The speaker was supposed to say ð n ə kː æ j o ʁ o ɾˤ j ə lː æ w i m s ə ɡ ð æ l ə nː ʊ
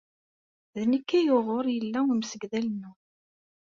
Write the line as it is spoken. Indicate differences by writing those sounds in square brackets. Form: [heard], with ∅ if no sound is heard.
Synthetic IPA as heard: ð n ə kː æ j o ʁ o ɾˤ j ə lː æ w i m s ə ɡ ð æ l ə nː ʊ